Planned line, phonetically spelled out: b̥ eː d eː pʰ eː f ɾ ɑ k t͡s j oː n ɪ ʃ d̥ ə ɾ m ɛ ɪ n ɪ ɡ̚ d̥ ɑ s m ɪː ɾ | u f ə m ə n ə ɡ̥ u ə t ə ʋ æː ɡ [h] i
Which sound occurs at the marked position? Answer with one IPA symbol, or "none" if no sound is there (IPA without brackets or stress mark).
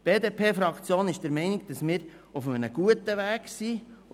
s